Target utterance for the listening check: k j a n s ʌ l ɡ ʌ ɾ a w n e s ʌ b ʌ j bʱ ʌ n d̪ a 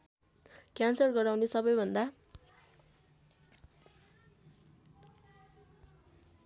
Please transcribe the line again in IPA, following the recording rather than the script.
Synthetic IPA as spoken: k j a n s ʌ r ɡ ʌ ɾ a w n e s ʌ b ʌ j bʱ ʌ n d̪ a